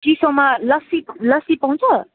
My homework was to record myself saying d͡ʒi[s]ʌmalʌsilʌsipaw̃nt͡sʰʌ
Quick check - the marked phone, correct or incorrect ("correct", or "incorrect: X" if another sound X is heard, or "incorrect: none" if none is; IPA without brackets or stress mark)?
correct